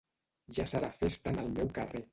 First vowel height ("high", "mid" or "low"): low